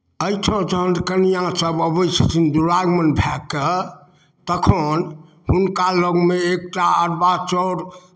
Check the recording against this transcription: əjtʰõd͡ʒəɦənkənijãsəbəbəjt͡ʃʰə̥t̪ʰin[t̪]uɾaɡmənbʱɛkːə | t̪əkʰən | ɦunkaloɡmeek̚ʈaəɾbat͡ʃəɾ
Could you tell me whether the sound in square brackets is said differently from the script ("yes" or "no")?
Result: yes